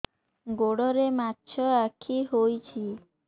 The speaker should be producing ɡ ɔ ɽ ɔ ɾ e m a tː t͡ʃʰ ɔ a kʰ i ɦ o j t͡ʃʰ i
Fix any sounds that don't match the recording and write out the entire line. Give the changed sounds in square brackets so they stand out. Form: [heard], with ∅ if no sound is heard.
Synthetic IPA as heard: ɡ [o] ɽ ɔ ɾ e m a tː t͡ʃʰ ɔ a kʰ i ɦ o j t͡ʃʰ i

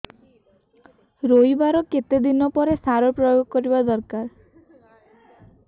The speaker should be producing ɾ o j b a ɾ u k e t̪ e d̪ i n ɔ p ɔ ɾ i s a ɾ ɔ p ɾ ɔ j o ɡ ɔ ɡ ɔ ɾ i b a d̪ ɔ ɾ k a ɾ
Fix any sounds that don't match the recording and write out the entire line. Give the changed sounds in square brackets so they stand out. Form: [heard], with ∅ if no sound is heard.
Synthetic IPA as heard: ɾ o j b a ɾ [ɔ] k e t̪ e d̪ i n ɔ p ɔ ɾ [e] s a ɾ ɔ p ɾ ɔ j o ɡ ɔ [k] ɔ ɾ i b a d̪ ɔ ɾ k a ɾ

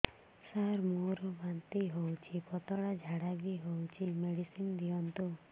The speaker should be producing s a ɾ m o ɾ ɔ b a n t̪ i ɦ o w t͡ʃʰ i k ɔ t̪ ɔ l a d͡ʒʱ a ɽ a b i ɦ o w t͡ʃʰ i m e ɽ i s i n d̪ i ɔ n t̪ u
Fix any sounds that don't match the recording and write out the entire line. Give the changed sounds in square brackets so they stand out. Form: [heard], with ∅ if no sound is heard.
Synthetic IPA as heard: s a ɾ m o ɾ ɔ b a n t̪ i ɦ o w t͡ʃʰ i [p] ɔ t̪ ɔ [ɽ] a d͡ʒʱ a ɽ a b i ɦ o w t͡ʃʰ i m e ɽ i s i n d̪ i ɔ n t̪ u

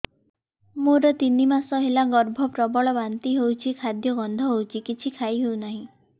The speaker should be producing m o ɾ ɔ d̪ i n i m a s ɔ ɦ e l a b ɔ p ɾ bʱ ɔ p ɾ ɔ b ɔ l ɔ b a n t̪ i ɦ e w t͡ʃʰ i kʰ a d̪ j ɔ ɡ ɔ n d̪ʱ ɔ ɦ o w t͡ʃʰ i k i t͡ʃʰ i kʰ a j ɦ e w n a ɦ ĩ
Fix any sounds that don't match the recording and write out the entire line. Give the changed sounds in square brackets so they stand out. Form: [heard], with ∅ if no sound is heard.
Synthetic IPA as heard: m o ɾ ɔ [t̪] i n i m a s ɔ ɦ e l a [ɡ] ɔ [∅] ɾ bʱ ɔ p ɾ ɔ b ɔ [ɭ] ɔ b a n t̪ i ɦ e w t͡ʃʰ i kʰ a d̪ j ɔ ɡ ɔ n d̪ʱ ɔ ɦ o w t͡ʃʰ i k i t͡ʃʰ i kʰ a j ɦ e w n a ɦ ĩ

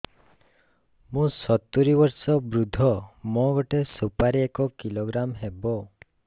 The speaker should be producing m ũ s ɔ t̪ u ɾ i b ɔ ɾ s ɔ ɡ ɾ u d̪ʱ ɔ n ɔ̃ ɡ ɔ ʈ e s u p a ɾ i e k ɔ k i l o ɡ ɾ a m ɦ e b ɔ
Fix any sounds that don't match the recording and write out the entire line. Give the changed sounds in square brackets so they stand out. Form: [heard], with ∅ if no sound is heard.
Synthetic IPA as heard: m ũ s ɔ t̪ u ɾ i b ɔ ɾ s ɔ [b] ɾ u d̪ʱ ɔ [m] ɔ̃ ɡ ɔ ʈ e s u p a ɾ i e k ɔ k i l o ɡ ɾ a m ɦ e b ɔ

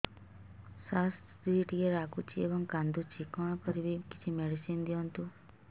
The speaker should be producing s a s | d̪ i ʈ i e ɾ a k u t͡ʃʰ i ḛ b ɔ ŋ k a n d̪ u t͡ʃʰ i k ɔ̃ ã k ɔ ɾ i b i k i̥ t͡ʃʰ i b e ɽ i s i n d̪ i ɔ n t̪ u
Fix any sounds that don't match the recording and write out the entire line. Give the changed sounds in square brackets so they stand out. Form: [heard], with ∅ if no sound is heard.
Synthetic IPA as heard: s a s | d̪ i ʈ i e ɾ a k u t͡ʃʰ i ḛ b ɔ ŋ k a n d̪ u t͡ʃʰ i k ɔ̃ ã k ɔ ɾ i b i k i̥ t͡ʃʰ i [m] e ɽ i s i n d̪ i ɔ n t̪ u

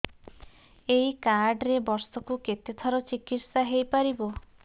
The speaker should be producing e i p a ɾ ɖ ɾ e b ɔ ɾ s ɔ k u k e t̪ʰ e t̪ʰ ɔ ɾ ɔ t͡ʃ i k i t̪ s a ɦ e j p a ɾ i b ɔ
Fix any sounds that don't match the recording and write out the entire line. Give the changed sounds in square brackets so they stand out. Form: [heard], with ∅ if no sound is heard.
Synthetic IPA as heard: e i [k] a ɾ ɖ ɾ e b ɔ ɾ s ɔ k u k e [t̪] e t̪ʰ ɔ ɾ ɔ t͡ʃ i k i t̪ s a ɦ e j p a ɾ i b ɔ

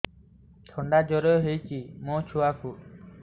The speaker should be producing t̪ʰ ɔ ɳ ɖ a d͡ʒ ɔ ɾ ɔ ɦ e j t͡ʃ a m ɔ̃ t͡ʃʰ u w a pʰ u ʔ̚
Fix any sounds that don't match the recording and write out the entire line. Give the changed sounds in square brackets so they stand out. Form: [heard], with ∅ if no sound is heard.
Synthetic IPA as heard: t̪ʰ ɔ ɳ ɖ a d͡ʒ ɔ ɾ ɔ ɦ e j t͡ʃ [i] m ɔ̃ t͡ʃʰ u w a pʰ u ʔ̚

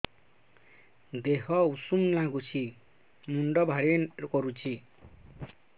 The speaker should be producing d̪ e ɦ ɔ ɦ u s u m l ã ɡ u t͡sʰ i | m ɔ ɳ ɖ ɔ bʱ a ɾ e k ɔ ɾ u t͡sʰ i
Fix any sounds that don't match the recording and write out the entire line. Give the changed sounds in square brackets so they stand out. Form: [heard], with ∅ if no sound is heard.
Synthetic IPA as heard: d̪ e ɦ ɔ [∅] u s u m l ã ɡ u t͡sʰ i | m [u] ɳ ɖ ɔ bʱ a ɾ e k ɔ ɾ u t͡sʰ i

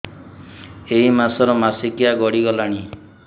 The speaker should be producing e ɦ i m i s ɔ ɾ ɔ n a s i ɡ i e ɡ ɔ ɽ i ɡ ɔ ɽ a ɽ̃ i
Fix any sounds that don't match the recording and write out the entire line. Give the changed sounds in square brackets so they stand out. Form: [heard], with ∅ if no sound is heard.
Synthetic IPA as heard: e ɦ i m [a] s ɔ ɾ ɔ [m] a s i [k] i [a] ɡ ɔ ɽ i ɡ ɔ [l] a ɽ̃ i

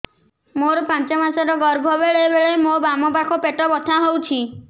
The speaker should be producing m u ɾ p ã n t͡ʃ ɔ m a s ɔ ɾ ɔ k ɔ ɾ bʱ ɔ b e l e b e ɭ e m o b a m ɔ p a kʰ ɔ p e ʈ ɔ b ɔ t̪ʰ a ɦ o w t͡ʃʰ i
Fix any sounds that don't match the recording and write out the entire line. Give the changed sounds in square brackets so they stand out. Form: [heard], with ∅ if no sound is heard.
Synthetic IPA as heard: m [o] ɾ p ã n t͡ʃ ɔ m a s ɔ ɾ ɔ [ɡ] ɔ ɾ bʱ ɔ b e [ɭ] e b e ɭ e m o b a m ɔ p a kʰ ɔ p e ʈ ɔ b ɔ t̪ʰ a ɦ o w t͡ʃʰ i

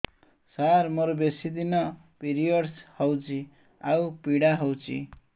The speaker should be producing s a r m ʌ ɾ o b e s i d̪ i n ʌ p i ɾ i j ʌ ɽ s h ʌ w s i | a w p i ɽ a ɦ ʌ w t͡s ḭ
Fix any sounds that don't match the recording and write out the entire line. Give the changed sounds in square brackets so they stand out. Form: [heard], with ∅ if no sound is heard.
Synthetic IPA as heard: s a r m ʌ ɾ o b e s i d̪ i n ʌ p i ɾ i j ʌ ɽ s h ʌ w [t͡s] i | a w p i ɽ a ɦ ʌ w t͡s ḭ

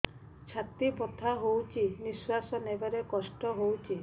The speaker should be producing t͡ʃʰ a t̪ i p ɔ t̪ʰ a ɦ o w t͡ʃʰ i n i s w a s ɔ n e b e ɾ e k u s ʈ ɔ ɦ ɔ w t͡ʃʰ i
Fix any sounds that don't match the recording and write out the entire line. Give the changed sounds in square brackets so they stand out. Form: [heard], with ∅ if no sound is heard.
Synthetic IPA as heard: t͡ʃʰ a t̪ i p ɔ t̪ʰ a ɦ o w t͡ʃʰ i n i s w a s ɔ n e b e ɾ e k [ɔ] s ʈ ɔ ɦ [o] w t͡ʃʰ i

